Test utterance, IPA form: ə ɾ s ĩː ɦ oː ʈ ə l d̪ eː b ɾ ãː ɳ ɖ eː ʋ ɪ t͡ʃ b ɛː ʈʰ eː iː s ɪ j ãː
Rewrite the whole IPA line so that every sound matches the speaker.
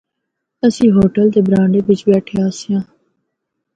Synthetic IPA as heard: ə s ĩː ɦ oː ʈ ə l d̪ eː b ɾ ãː ɳ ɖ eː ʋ ɪ t͡ʃ b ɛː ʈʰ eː aː s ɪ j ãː